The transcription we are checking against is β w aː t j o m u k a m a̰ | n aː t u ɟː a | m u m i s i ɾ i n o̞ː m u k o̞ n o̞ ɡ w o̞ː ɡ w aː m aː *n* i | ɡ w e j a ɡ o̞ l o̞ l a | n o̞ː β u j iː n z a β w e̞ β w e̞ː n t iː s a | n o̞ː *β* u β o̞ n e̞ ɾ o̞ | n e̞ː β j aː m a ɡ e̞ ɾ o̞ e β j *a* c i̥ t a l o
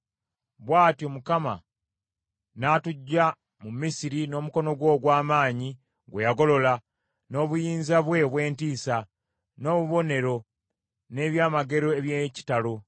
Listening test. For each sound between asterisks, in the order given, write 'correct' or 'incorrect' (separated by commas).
incorrect, correct, incorrect